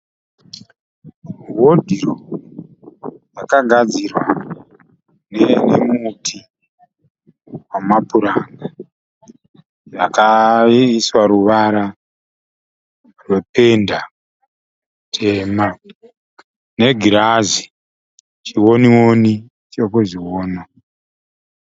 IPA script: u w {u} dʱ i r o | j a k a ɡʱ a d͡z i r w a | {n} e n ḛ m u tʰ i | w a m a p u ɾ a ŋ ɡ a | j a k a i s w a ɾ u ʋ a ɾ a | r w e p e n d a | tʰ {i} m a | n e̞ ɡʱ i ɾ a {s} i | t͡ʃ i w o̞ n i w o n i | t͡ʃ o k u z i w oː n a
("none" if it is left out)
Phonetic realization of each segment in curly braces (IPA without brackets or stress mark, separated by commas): o, n, e, z